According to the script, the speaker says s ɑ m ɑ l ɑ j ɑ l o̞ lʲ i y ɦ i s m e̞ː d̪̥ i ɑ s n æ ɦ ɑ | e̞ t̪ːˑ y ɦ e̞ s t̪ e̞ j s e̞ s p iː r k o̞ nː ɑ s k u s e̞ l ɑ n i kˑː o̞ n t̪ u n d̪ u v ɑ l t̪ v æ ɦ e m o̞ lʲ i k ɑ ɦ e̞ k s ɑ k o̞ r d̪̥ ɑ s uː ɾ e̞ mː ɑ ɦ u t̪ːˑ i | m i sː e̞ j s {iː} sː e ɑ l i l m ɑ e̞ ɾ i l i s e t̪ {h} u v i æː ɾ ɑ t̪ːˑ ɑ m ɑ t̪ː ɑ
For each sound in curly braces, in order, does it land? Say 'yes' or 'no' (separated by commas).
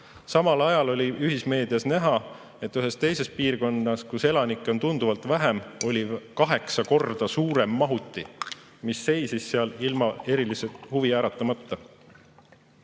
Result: no, yes